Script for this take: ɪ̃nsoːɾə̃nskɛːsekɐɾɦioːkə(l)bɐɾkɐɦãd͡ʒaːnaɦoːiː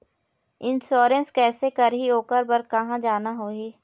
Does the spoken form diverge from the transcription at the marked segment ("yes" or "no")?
yes